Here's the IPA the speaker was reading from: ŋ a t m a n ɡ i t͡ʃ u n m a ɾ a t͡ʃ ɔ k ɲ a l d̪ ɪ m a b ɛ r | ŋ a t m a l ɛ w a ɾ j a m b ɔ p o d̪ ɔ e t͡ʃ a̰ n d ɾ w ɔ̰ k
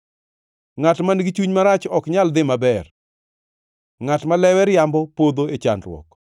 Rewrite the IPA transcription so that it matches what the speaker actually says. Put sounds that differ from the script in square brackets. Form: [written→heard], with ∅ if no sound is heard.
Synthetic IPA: ŋ a t m a n ɡ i t͡ʃ u [n→ɲ] m a ɾ a t͡ʃ ɔ k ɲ a l d̪ ɪ m a b ɛ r | ŋ a t m a l ɛ w [a→ɛ] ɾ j a m b ɔ p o d̪ [ɔ→o] e t͡ʃ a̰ n d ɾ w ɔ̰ k